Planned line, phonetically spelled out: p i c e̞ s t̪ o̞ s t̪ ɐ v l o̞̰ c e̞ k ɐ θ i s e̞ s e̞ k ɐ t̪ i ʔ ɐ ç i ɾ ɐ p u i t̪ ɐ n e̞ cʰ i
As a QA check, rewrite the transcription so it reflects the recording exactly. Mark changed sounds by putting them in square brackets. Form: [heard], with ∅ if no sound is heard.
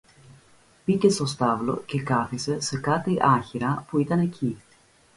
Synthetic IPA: p i c e̞ s t̪ o̞ s t̪ ɐ v l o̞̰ c e̞ k ɐ θ i s e̞ s e̞ k ɐ t̪ i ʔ ɐ ç i ɾ ɐ p u i t̪ ɐ n e̞ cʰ i